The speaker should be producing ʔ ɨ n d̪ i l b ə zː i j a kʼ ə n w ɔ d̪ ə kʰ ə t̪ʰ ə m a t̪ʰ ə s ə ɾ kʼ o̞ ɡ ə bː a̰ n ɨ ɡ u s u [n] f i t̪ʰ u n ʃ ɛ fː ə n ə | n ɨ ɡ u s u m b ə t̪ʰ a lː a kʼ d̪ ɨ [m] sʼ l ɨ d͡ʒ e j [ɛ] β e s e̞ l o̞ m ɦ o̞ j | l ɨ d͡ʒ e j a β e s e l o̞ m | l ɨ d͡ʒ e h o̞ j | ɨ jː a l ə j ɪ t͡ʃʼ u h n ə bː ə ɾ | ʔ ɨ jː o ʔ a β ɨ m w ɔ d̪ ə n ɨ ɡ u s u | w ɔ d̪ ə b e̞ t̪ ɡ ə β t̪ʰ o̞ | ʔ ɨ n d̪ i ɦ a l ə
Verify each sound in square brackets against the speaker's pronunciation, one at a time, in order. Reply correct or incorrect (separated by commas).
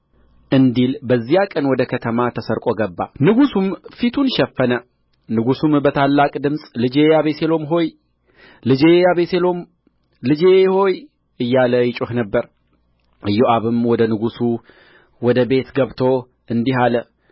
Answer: incorrect, correct, incorrect